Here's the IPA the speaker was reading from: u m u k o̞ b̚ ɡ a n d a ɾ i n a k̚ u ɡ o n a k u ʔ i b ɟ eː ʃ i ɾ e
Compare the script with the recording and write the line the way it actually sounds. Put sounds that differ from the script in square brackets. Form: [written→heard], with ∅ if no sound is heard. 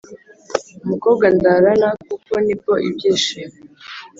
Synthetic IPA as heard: u m u k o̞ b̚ ɡ a n d a ɾ [i→a] n a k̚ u [ɡ→k] o n [a→i] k [u→o] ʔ i b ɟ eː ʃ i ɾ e